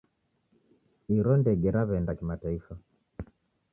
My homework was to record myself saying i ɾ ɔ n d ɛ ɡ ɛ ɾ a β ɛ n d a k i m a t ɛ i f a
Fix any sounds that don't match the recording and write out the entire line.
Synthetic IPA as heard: i ɾ ɔ n d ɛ ɡ ɛ ɾ a β ɛ n d a k i m a t a i f a